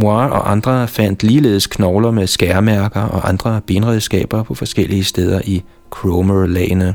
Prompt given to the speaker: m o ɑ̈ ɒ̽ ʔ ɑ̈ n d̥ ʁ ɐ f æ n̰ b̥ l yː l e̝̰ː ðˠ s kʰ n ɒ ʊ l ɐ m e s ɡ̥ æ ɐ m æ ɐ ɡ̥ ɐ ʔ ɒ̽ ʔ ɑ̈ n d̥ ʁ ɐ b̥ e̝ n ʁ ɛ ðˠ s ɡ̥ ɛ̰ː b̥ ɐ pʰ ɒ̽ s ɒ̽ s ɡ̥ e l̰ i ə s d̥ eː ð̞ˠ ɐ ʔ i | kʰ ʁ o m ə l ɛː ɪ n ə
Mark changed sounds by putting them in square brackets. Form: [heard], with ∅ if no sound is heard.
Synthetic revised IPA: m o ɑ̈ ɒ̽ ʔ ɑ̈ n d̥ ʁ ɐ f æ n̰ [d̥] l [iː] l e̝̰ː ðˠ s kʰ n ɒ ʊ l ɐ m e s ɡ̥ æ ɐ m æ ɐ ɡ̥ ɐ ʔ ɒ̽ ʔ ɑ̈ n d̥ ʁ ɐ b̥ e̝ n ʁ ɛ ðˠ s ɡ̥ ɛ̰ː b̥ ɐ pʰ ɒ̽ [f] ɒ̽ s ɡ̥ e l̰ i ə s d̥ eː ð̞ˠ ɐ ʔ i | kʰ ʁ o m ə l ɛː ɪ n ə